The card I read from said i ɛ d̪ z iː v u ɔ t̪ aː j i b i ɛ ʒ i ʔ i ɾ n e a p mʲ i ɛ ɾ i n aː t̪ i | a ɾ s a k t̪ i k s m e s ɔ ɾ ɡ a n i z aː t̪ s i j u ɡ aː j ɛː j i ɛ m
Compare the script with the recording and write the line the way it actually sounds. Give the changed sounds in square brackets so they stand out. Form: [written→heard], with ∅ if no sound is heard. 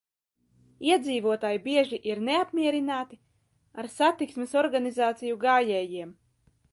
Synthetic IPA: i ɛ d̪ z iː v u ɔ t̪ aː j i b i ɛ ʒ i ʔ i ɾ n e a p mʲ i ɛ ɾ i n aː t̪ i | a ɾ s a [k→∅] t̪ i k s m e s ɔ ɾ ɡ a n i z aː t̪ s i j u ɡ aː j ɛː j i ɛ m